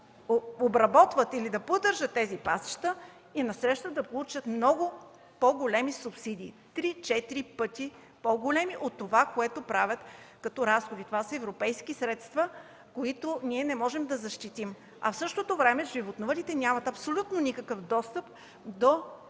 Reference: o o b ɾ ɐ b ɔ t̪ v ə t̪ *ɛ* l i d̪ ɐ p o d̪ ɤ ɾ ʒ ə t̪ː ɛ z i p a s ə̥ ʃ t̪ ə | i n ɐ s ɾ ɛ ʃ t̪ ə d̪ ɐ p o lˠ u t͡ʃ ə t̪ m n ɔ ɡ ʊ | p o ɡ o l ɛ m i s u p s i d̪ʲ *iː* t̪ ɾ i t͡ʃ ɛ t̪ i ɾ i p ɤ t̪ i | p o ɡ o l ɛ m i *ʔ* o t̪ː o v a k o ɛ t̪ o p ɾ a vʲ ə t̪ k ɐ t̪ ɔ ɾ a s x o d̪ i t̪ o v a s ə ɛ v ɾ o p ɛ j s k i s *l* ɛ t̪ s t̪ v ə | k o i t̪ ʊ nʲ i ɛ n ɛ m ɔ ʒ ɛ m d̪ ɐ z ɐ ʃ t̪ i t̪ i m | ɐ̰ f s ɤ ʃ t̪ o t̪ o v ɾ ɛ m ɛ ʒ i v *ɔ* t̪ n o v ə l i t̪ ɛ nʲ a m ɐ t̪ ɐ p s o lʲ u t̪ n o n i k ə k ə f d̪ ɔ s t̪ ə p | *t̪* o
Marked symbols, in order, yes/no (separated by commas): no, yes, yes, no, no, no